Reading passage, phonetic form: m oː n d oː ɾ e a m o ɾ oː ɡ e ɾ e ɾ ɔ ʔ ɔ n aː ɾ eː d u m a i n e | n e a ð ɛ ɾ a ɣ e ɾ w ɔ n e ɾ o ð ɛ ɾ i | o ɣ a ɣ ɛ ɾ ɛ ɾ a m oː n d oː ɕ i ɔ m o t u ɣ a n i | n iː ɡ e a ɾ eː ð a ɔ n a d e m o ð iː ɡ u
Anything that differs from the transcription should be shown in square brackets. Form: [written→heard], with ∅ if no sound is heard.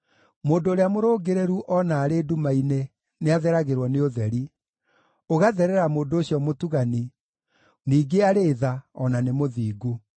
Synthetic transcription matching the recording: m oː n d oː ɾ e a m o ɾ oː ɡ e ɾ e ɾ [ɔ→u] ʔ ɔ n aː ɾ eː d u m a i n e | n e a ð ɛ ɾ a ɣ e ɾ w ɔ n e [ɾ→∅] o ð ɛ ɾ i | o ɣ a [ɣ→ð] ɛ ɾ ɛ ɾ a m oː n d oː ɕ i ɔ m o t u ɣ a n i | n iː ɡ e a ɾ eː ð a ɔ n a [d→n] e m o ð iː ɡ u